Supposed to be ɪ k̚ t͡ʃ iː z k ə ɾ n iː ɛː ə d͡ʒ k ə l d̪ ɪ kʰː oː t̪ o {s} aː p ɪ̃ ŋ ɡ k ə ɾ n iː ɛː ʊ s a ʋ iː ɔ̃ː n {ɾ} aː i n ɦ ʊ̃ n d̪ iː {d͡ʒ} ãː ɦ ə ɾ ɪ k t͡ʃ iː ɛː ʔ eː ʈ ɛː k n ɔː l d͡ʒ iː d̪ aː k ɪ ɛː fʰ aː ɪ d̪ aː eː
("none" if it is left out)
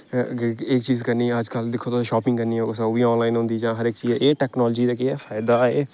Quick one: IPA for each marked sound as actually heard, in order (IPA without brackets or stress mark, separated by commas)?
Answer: ʃ, l, d͡ʒ